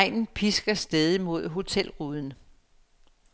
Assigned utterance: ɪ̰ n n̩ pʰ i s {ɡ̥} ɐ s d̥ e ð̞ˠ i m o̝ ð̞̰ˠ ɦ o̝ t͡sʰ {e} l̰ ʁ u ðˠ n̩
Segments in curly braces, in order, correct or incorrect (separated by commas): correct, correct